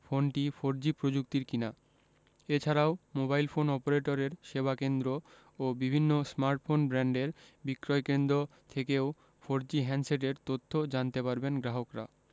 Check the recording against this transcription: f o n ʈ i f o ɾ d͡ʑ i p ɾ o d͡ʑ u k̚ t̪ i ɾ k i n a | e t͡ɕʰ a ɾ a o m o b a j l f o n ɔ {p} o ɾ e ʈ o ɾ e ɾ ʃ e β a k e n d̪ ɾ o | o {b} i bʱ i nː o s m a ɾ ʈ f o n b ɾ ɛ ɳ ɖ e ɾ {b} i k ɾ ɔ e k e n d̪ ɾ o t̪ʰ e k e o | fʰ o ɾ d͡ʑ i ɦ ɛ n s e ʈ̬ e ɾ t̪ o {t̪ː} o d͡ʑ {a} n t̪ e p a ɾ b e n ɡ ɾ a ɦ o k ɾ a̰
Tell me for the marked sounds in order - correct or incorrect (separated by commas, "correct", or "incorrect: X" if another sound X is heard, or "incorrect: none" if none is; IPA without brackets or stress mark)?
correct, correct, correct, incorrect: t̪ʰː, correct